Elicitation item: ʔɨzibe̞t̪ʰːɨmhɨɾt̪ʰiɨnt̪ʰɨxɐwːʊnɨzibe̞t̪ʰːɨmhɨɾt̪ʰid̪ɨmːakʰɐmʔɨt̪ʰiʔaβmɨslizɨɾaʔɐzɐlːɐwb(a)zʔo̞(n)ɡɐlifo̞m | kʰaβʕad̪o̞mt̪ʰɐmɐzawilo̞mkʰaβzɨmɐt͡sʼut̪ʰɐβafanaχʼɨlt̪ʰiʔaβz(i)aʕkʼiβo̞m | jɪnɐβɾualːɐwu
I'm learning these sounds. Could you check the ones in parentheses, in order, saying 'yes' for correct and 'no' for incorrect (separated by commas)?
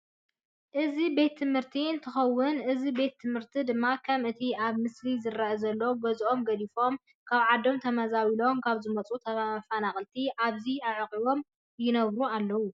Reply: no, no, yes